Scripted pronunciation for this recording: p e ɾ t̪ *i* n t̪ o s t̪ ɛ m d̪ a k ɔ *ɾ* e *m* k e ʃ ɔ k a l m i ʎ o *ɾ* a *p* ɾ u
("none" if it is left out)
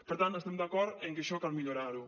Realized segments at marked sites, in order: a, ɾ, ŋ, ɾ, none

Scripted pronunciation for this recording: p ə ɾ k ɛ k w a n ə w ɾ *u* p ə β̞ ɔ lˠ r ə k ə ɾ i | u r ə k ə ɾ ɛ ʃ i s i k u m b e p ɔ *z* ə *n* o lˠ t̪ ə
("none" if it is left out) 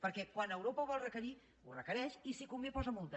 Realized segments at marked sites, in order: o, z, m

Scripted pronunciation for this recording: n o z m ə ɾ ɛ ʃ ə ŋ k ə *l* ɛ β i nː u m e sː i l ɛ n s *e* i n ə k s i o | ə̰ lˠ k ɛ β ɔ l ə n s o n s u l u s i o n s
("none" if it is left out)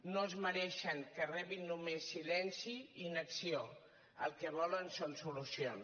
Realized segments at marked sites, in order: r, i

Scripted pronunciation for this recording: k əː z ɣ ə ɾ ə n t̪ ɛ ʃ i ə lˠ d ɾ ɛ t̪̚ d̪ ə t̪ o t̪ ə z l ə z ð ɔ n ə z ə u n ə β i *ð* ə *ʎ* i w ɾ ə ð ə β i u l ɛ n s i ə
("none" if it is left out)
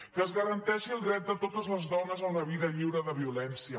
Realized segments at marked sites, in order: ð, ʎ

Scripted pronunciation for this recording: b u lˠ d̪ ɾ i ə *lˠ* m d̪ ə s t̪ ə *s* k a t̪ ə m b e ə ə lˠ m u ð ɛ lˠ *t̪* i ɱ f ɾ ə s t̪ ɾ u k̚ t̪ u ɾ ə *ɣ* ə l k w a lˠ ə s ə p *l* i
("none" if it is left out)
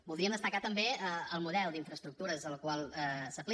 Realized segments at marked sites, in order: none, none, d̪, z, l

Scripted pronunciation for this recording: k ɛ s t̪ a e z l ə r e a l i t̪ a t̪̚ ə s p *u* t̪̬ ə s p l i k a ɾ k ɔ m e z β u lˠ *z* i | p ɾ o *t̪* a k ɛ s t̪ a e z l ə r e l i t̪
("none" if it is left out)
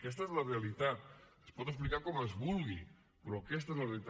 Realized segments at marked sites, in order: ɔ, ɣ, none

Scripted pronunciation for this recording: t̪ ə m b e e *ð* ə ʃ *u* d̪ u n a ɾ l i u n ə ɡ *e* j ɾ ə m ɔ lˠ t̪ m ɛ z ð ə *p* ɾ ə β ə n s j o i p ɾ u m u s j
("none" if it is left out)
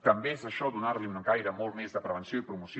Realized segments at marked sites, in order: z, ɔ, a, p

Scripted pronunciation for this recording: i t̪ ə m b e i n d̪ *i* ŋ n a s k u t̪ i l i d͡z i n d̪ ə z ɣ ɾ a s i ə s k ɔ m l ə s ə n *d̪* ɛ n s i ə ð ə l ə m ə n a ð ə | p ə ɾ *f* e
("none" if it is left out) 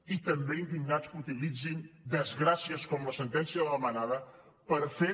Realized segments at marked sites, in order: i, t̪, f

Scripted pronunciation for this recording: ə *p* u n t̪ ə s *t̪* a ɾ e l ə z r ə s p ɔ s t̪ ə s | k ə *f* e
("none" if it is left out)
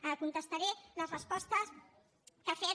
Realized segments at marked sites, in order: k, t̪, f

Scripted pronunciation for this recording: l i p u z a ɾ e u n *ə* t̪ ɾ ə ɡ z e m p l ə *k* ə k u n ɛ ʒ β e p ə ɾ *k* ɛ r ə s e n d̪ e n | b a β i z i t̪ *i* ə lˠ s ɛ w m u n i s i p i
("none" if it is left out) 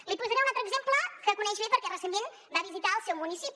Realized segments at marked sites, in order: a, k, k, a

